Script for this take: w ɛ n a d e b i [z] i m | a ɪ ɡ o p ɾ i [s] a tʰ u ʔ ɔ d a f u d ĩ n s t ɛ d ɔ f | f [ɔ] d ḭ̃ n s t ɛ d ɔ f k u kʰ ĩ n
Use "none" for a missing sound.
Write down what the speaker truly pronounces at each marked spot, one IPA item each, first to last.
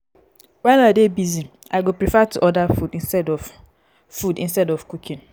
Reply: z, f, u

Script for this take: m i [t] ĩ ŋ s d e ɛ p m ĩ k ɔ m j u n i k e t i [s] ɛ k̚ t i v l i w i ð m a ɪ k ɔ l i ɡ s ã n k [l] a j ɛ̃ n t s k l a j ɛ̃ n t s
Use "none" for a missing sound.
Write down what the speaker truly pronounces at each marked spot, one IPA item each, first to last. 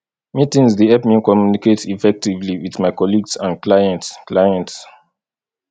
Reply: t, f, l

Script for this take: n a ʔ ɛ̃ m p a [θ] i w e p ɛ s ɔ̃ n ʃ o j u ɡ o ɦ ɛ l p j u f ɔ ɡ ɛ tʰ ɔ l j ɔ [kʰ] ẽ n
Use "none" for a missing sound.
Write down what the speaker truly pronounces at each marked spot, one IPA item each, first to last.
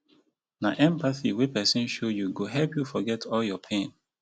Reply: θ, pʰ

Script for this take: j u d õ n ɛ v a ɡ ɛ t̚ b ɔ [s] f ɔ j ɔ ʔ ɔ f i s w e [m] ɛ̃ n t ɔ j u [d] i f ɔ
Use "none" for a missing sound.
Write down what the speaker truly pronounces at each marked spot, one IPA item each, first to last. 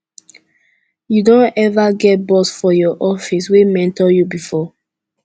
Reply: s, m, b

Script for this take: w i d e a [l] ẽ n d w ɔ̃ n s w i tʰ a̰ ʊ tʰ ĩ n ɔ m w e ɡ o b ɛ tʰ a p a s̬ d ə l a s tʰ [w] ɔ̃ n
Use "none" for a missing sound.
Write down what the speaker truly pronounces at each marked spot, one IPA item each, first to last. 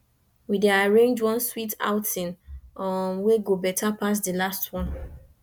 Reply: ɹ, w

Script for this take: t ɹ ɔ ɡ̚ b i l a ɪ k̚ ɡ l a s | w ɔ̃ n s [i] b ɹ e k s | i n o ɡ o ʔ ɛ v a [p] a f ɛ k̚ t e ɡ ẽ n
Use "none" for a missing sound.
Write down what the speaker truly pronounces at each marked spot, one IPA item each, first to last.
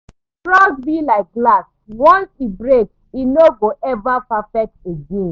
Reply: i, p

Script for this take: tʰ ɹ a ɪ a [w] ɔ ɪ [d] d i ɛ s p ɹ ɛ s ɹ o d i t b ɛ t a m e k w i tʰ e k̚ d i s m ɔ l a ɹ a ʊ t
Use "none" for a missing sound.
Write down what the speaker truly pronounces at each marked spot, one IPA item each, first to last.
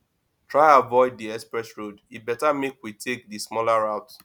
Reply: v, d

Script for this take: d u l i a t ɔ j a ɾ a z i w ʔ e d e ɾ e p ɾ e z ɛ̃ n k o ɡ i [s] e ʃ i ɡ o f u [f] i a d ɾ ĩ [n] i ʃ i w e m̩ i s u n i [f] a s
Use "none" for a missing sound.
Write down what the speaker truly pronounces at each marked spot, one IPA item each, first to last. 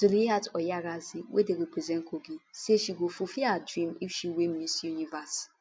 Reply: s, f, m, v

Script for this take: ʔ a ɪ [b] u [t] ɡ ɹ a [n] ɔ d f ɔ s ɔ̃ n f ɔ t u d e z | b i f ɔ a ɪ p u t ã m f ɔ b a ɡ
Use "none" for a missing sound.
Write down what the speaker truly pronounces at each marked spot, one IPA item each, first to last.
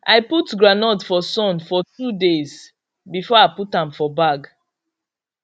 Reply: p, t, n

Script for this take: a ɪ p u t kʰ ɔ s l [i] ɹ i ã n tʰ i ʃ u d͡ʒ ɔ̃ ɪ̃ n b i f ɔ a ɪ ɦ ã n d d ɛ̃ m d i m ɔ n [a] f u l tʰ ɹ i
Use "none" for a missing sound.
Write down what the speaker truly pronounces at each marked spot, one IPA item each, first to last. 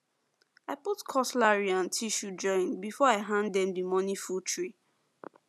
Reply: a, i

